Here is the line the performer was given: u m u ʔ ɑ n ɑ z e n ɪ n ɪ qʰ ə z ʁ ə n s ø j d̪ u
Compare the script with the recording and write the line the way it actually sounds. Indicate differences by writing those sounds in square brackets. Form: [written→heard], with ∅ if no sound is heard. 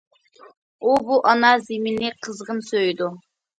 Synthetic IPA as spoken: u [m→b] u ʔ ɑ n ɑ z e [n→m] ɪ n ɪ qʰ ə z ʁ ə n s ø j d̪ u